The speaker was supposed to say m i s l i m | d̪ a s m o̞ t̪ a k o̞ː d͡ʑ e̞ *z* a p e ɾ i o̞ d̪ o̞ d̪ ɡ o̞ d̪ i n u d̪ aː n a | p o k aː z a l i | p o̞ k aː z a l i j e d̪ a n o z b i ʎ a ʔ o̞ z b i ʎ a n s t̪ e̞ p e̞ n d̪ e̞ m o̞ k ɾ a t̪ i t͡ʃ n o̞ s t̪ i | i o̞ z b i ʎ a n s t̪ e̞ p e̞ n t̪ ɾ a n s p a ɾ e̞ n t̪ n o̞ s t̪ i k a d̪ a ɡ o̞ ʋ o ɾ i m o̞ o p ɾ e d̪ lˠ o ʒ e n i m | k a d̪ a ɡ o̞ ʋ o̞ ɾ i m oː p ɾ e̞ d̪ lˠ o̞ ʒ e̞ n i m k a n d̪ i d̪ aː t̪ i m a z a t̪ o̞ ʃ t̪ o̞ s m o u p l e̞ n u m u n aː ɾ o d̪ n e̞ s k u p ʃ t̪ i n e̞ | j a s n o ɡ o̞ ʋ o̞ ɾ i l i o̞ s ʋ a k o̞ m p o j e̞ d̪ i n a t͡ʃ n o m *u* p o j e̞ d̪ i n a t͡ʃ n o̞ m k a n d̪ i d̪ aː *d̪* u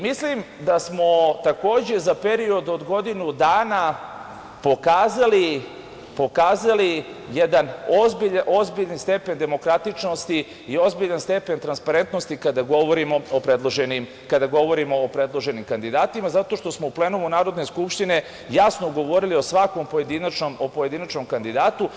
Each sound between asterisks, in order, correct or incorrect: correct, incorrect, incorrect

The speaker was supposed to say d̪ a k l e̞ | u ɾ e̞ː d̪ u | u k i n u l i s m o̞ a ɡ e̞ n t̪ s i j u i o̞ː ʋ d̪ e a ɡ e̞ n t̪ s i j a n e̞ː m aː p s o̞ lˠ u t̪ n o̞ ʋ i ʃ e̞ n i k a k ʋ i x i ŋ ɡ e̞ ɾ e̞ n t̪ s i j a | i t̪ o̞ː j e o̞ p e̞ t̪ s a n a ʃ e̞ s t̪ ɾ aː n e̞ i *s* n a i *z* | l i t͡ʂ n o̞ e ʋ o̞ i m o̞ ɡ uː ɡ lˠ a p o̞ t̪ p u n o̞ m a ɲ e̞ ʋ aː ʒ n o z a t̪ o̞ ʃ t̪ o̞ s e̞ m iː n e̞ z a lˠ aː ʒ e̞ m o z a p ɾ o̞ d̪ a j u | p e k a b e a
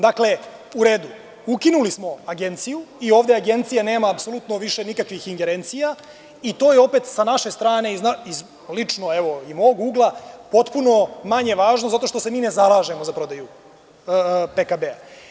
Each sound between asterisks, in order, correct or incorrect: incorrect, correct

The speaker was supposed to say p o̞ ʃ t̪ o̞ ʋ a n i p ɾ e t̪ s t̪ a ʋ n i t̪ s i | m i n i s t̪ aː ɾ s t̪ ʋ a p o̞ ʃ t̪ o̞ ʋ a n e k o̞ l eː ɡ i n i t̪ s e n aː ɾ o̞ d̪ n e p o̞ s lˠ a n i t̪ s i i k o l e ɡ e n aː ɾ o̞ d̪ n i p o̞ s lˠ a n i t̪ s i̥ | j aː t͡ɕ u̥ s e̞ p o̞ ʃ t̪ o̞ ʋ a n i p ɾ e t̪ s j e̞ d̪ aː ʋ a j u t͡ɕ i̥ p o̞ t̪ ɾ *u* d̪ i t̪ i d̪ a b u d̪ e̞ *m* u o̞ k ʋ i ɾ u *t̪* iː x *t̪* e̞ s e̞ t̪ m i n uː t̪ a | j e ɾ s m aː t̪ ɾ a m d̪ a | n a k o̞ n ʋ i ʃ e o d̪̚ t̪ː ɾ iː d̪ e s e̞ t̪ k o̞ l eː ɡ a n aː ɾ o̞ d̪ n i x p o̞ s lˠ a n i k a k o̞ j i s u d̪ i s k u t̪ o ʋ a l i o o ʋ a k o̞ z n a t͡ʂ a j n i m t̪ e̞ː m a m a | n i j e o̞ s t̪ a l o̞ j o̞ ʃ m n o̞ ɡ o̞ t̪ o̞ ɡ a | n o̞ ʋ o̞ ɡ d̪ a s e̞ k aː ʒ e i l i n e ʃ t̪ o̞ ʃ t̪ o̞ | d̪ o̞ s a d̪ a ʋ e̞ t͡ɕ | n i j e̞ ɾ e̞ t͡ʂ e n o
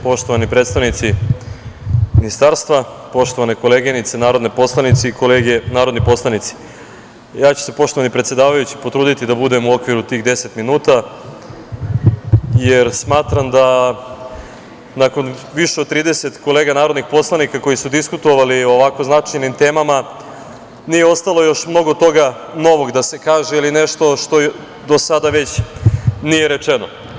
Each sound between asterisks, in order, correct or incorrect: incorrect, correct, correct, incorrect

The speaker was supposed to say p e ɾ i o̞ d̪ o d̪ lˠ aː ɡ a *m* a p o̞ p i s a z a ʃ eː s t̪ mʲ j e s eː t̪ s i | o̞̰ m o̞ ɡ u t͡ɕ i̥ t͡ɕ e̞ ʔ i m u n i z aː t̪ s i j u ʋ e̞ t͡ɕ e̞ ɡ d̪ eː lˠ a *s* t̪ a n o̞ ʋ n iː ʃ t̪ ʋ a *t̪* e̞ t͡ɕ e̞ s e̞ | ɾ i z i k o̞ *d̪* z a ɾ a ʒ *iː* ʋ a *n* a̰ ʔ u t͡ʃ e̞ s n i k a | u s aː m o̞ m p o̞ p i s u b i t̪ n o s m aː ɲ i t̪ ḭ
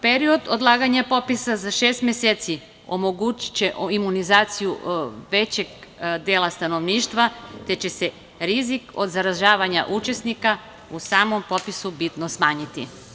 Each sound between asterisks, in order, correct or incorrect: incorrect, correct, correct, correct, incorrect, incorrect

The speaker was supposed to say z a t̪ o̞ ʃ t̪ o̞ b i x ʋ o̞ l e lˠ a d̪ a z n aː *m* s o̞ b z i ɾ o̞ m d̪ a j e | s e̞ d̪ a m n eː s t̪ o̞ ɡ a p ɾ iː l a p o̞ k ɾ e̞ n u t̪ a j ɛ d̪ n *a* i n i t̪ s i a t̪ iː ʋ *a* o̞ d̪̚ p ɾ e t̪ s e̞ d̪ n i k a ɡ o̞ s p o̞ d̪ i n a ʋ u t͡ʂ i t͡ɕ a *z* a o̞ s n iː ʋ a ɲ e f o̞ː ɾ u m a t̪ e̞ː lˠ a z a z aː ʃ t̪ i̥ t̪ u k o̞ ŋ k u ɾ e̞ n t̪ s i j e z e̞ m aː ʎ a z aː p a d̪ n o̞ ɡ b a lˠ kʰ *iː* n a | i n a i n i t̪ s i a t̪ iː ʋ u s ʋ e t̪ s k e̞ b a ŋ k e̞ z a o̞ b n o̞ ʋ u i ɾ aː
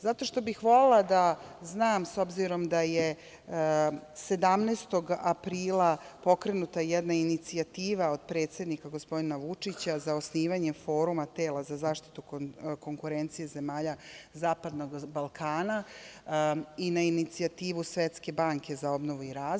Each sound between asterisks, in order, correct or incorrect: correct, correct, correct, correct, incorrect

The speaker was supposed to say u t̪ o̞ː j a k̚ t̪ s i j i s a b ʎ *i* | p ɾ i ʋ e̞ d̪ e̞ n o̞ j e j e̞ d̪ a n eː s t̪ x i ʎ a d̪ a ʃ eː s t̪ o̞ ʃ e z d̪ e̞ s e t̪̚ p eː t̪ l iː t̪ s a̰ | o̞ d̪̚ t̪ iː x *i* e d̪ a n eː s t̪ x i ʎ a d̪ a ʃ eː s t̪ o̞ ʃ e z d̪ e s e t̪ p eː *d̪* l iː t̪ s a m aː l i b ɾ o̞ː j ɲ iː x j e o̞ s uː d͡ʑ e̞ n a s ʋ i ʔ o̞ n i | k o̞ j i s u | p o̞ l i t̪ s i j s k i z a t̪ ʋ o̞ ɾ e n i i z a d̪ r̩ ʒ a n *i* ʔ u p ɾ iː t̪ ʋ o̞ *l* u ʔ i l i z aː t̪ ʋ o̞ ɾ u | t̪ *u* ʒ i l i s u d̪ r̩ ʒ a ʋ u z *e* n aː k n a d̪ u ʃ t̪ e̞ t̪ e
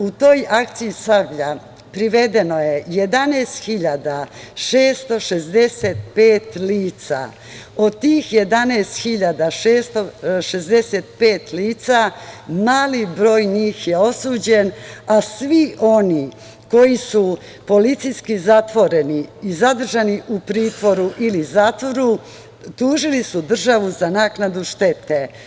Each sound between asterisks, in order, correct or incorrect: incorrect, incorrect, incorrect, correct, incorrect, incorrect, incorrect

